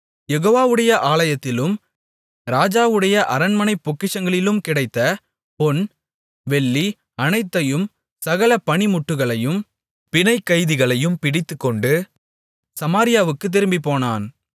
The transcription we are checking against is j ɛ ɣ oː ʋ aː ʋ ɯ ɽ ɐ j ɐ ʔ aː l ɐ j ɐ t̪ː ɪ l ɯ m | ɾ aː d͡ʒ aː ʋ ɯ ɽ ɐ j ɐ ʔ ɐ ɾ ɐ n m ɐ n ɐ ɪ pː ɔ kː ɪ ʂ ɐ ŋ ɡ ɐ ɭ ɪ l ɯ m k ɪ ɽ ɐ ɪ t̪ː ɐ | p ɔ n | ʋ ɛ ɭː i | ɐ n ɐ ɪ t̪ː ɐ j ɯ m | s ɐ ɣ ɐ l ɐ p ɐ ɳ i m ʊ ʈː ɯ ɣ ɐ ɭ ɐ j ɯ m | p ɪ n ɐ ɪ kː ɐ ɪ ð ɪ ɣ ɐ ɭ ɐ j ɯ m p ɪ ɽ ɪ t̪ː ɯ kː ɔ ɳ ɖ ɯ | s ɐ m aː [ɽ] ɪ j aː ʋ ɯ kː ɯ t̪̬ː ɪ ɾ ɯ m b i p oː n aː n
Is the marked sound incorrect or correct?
incorrect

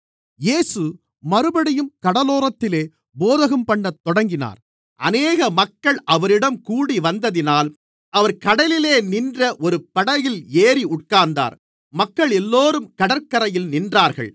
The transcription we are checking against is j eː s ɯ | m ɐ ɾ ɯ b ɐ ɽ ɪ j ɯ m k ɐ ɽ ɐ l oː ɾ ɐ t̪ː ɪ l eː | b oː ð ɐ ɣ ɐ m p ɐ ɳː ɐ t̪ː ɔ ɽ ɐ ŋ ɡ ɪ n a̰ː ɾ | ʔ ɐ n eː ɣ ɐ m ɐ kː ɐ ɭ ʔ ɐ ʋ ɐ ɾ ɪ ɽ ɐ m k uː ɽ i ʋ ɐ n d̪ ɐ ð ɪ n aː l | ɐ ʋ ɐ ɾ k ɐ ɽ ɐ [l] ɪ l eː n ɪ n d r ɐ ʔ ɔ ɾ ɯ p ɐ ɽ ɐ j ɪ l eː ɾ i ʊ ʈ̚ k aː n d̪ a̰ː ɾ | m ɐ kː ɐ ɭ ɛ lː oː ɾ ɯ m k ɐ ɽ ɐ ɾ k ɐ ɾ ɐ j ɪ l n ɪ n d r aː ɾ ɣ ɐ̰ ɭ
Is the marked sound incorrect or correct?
correct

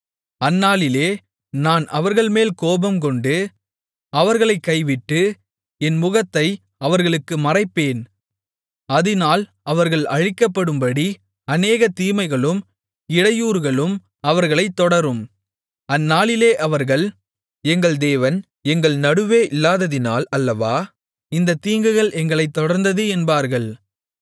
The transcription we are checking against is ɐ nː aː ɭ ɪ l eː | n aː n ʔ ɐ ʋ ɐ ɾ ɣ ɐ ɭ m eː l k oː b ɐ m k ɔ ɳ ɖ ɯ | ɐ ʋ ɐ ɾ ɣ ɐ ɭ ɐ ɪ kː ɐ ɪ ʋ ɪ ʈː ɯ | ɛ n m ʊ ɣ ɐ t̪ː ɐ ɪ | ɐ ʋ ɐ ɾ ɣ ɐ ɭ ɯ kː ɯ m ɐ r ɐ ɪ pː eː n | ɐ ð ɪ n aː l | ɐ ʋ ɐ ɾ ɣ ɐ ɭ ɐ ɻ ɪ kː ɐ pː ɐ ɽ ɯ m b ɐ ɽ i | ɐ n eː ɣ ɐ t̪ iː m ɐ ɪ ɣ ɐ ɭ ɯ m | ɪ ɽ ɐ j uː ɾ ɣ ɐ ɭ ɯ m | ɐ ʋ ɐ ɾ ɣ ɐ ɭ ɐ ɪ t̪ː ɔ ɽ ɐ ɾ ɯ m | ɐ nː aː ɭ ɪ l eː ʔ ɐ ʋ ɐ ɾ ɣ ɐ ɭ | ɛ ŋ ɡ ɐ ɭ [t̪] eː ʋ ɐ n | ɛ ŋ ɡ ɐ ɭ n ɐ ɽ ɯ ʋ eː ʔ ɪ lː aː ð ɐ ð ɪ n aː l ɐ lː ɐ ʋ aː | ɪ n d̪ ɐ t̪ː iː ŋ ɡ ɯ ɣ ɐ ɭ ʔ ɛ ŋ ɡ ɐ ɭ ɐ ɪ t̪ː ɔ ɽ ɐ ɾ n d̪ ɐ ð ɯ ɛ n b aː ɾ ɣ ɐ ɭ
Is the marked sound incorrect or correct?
incorrect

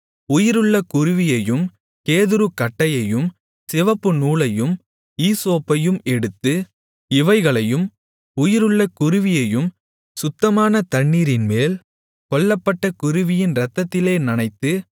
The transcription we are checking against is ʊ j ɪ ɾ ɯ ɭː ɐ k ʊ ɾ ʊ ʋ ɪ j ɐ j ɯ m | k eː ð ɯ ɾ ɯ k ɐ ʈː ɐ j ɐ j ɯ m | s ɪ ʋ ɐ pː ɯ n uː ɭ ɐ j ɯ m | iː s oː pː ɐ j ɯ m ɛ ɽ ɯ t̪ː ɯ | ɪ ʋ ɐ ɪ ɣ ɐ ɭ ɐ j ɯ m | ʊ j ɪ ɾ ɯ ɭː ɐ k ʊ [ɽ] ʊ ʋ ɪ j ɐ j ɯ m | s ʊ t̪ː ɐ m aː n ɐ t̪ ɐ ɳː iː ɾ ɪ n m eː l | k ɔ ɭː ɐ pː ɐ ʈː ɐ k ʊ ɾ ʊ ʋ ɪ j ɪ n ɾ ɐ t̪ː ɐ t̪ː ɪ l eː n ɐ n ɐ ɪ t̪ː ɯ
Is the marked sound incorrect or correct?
incorrect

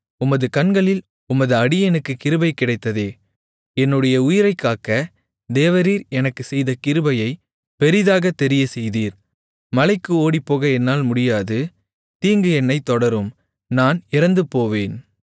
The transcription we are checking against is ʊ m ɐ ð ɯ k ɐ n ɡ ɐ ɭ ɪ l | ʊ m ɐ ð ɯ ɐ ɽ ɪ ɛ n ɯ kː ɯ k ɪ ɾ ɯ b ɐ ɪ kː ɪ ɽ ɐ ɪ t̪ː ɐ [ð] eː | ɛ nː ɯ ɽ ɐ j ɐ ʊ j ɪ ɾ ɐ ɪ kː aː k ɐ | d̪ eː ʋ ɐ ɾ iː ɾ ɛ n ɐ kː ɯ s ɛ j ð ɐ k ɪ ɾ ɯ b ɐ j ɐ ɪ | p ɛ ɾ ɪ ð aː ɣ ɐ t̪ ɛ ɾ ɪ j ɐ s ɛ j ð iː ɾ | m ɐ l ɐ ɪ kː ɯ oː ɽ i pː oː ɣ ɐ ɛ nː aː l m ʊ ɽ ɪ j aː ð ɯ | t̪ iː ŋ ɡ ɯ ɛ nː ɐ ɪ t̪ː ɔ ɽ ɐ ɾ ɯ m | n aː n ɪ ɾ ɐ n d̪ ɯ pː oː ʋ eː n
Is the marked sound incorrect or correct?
correct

